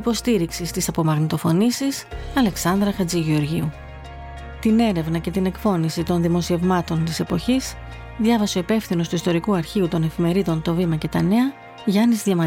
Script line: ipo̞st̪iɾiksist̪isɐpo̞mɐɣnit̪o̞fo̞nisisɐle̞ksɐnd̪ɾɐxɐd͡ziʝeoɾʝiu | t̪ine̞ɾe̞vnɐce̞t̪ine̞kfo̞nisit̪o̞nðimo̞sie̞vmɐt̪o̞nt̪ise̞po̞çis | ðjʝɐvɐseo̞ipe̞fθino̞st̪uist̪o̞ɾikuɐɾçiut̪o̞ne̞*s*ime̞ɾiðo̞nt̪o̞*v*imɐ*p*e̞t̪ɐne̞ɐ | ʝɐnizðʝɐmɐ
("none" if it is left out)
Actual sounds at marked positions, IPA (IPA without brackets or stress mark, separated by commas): f, v, c